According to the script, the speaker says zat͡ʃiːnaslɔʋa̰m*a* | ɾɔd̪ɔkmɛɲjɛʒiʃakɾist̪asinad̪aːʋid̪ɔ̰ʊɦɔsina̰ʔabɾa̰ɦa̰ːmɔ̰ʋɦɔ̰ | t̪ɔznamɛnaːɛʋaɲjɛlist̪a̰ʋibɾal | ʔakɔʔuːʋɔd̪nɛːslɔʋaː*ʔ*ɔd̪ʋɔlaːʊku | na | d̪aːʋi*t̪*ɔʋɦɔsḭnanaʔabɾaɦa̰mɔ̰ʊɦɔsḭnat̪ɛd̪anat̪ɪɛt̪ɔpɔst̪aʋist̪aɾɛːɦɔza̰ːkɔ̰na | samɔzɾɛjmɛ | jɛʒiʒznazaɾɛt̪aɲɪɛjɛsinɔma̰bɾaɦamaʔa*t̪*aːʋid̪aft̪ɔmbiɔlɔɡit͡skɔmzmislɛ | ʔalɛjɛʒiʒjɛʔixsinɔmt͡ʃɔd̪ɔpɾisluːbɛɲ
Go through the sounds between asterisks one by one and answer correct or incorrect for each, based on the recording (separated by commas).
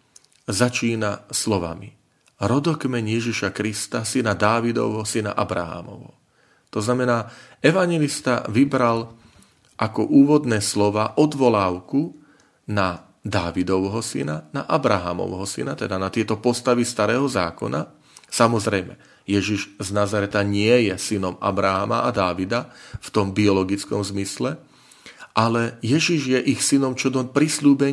incorrect, correct, incorrect, incorrect